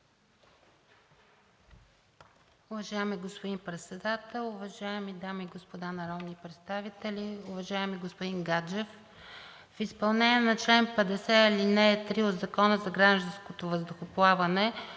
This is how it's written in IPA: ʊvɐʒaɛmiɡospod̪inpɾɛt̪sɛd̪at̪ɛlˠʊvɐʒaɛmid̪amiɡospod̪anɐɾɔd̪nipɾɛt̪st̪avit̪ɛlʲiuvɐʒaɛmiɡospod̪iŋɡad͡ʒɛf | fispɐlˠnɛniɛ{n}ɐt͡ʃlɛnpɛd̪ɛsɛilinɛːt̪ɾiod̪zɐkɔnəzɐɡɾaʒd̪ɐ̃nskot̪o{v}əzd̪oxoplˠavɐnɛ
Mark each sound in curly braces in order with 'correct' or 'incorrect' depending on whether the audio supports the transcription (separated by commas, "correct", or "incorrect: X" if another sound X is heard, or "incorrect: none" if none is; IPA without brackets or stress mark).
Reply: correct, correct